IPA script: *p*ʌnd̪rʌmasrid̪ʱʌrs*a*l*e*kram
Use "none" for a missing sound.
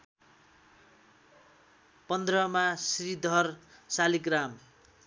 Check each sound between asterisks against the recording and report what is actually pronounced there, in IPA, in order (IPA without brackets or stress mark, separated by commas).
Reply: p, a, i